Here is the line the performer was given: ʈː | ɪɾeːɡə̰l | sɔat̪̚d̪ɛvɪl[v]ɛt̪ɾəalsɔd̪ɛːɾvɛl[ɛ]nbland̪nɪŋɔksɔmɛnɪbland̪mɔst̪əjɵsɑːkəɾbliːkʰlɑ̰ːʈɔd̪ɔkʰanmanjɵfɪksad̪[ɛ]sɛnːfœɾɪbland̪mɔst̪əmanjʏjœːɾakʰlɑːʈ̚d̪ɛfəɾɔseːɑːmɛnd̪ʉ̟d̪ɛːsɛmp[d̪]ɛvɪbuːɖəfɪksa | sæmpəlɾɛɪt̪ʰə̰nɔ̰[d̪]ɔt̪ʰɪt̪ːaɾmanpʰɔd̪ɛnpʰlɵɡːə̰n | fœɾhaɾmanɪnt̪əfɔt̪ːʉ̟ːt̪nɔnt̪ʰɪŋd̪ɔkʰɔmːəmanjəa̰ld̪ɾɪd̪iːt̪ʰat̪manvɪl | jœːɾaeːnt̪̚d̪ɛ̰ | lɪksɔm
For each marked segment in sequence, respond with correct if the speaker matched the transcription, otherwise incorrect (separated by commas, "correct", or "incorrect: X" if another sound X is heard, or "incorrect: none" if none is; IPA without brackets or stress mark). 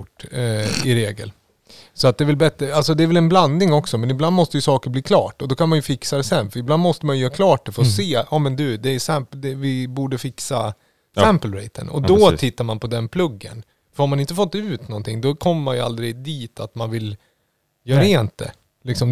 incorrect: b, correct, correct, correct, correct